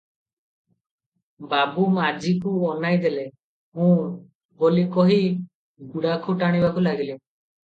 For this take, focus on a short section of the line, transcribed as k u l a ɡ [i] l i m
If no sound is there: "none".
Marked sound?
i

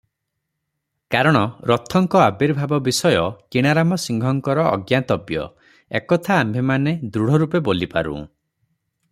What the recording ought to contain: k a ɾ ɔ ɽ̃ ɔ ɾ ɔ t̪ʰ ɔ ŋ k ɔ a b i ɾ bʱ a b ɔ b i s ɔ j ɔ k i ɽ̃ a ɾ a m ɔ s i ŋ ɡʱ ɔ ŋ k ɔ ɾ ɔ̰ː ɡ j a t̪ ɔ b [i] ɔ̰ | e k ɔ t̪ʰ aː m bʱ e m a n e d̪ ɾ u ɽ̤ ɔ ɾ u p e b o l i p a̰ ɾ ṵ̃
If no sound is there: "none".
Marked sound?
j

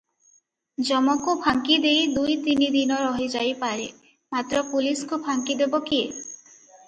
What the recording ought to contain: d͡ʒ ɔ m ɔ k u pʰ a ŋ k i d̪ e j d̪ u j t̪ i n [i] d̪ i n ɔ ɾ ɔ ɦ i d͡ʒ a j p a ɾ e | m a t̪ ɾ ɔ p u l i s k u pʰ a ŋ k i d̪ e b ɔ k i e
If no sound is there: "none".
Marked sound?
i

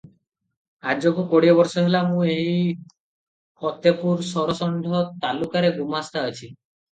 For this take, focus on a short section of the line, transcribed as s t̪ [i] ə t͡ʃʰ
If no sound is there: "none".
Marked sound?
a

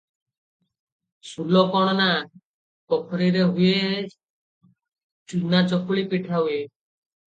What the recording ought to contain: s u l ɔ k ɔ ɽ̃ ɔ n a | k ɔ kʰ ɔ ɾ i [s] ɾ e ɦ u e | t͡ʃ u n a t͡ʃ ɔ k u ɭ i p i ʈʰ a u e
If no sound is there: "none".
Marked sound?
none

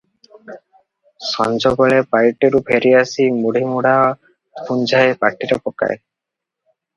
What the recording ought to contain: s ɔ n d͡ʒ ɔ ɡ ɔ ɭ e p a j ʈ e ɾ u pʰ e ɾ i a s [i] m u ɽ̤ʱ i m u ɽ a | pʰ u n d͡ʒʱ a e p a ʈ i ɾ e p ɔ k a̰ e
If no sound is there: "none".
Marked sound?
i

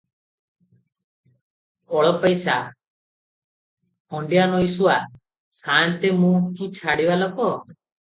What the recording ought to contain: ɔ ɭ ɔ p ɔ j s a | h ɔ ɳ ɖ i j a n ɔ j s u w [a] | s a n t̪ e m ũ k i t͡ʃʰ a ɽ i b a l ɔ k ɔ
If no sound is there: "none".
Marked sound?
a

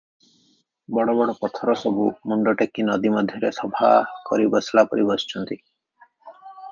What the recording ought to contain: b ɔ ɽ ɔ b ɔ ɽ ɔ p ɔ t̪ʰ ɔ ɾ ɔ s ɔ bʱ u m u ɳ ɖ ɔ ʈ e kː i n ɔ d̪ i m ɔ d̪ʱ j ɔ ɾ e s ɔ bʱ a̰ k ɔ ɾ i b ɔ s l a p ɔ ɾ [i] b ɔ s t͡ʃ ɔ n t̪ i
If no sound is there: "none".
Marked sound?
i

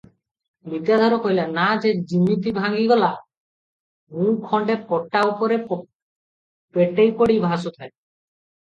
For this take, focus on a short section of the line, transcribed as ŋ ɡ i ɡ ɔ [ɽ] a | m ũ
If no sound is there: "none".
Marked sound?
l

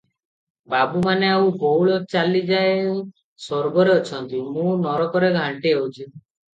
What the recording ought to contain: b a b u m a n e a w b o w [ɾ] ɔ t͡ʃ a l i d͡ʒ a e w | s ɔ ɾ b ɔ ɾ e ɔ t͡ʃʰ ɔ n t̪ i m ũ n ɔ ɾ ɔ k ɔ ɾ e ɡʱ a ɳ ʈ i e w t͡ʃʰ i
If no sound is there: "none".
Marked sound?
ɭ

